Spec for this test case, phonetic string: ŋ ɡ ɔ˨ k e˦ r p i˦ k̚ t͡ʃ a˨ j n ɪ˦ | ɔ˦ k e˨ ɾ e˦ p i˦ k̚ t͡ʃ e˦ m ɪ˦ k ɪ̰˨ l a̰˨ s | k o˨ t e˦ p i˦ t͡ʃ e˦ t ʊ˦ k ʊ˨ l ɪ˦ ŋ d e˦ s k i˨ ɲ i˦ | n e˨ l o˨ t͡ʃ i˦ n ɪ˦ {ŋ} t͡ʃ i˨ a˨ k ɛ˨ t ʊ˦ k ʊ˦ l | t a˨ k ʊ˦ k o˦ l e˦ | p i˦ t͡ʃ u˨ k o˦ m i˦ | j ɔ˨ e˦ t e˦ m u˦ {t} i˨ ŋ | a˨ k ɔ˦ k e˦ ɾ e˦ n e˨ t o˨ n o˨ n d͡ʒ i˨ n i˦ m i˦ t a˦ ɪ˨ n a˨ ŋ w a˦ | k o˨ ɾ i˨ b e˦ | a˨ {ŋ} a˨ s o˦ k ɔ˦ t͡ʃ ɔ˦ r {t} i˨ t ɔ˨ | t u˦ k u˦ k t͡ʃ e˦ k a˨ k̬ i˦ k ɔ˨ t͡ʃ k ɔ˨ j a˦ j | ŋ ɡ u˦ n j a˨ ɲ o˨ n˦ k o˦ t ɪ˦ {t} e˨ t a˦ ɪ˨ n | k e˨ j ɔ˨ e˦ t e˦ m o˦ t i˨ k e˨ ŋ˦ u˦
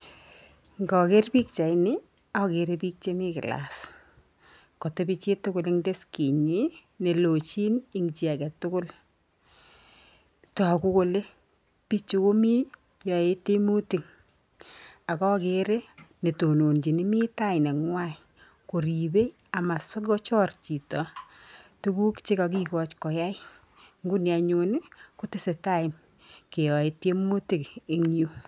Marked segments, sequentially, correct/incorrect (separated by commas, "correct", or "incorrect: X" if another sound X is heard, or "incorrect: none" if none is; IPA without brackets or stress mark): correct, correct, incorrect: m, incorrect: t͡ʃ, incorrect: s